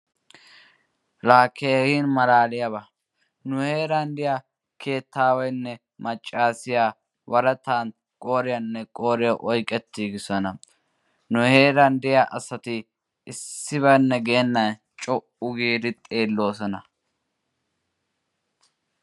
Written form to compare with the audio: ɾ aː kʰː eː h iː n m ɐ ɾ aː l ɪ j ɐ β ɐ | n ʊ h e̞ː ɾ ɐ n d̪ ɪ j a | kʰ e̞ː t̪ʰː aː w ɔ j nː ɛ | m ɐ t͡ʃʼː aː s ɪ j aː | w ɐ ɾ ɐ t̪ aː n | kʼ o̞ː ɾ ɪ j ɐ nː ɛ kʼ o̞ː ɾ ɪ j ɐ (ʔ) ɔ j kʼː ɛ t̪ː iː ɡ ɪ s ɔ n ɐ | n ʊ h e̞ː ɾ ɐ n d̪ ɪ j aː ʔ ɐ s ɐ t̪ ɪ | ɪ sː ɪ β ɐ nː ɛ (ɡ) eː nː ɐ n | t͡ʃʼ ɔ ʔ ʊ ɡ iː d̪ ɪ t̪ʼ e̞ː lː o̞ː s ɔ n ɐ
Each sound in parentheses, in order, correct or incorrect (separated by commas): correct, correct